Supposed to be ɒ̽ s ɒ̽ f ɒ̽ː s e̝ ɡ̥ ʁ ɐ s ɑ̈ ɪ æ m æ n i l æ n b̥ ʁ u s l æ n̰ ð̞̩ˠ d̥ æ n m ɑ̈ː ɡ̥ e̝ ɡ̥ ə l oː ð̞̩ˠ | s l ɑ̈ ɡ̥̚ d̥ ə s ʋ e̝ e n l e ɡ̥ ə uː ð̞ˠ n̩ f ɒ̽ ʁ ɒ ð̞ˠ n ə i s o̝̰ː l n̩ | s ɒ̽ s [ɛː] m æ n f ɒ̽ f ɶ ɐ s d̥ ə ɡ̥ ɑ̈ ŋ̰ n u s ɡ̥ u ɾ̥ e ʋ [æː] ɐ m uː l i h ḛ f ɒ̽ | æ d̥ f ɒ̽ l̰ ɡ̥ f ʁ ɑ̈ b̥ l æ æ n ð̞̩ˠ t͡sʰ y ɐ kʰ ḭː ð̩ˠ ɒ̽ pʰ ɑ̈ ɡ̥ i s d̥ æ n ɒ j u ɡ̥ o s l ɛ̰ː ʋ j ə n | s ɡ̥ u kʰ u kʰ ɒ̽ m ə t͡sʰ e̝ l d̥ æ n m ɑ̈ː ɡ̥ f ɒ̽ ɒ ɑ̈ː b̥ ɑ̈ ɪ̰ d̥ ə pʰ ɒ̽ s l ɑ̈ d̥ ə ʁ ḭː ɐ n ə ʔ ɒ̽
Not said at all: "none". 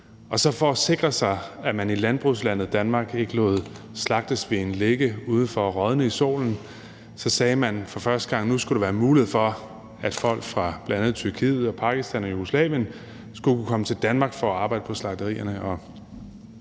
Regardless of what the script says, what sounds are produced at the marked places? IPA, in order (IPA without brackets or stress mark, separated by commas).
ɛː, æː